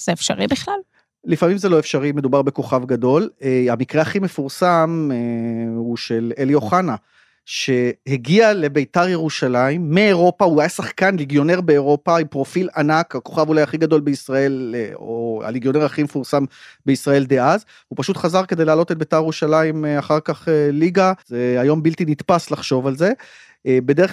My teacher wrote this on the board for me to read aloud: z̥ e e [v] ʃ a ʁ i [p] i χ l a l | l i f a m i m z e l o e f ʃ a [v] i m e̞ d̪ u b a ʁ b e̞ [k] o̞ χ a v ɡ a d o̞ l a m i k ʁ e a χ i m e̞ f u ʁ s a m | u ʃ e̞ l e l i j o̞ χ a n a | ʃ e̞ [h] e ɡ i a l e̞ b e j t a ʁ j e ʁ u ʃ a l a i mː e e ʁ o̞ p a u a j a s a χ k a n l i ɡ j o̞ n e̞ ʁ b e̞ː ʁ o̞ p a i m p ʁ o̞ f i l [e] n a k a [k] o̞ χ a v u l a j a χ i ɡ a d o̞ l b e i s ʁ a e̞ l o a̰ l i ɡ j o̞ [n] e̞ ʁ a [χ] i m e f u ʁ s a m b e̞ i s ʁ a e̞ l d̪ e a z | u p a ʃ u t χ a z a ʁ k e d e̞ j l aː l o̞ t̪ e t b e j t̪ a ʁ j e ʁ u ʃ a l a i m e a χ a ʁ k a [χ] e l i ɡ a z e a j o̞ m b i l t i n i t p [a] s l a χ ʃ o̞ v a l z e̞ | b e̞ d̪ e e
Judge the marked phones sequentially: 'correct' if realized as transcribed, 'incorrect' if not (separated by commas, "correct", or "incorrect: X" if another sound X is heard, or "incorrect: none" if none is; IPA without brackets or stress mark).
incorrect: f, incorrect: b, incorrect: ʁ, correct, correct, incorrect: a, correct, correct, correct, correct, correct